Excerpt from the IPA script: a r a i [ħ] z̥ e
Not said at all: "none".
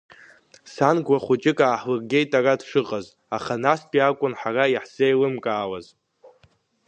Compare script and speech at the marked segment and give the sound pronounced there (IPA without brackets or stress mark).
ħ